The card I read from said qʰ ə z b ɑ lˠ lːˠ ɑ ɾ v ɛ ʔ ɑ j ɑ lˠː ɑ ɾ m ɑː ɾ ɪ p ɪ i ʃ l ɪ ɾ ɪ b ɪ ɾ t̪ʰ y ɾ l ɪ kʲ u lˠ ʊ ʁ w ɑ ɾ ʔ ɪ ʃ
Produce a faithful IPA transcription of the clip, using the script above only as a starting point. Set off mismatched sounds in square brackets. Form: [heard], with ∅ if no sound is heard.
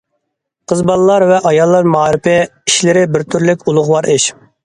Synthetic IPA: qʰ ə z b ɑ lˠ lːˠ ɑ ɾ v ɛ ʔ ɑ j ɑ lˠː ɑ ɾ m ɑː ɾ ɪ p ɪ i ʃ l ɪ ɾ ɪ b ɪ ɾ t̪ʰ y ɾ l ɪ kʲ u lˠ ʊ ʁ w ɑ ɾ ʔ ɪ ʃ